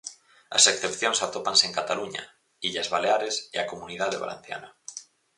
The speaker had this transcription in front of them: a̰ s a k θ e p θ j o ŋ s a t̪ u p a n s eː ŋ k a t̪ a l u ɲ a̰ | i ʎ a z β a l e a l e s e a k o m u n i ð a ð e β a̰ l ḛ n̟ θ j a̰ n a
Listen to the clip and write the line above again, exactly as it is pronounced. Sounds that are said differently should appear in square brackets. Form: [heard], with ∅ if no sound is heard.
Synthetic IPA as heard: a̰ s [e] k θ e p θ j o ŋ s a t̪ [o] p a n s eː ŋ k a t̪ a l u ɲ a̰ | i ʎ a z β a l e a [ɾ] e s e a k o m u n i ð a ð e β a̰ l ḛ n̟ θ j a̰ n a